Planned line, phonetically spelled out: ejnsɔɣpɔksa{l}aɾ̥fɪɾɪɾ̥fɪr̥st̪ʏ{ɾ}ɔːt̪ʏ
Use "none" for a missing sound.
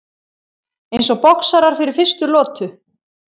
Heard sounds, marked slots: ɾ, l

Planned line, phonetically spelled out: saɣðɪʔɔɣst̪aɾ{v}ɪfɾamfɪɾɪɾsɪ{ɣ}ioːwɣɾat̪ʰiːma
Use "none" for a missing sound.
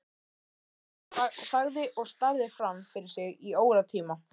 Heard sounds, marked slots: ð, ɣ

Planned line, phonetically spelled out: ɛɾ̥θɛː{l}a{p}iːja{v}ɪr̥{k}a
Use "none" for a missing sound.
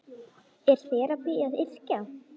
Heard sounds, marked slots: ɾ, p, ð, c

